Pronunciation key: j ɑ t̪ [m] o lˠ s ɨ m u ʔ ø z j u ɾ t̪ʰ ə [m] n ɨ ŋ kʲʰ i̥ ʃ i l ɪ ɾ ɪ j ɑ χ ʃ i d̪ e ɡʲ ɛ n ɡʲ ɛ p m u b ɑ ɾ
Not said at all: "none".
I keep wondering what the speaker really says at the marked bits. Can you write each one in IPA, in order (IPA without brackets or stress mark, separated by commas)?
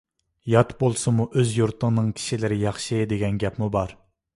b, ŋ